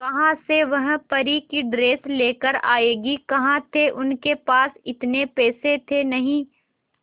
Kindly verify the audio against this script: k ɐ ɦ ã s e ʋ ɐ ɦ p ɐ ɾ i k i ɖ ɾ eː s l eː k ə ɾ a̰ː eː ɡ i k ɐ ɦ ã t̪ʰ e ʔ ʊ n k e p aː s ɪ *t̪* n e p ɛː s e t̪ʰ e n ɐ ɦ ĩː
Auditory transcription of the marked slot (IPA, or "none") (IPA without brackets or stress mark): t̪